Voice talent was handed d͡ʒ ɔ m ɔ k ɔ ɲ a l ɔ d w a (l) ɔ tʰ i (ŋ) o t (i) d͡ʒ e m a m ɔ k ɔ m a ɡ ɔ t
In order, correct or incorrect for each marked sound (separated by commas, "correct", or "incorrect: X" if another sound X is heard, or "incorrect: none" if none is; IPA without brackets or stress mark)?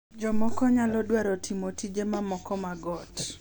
incorrect: ɾ, incorrect: m, correct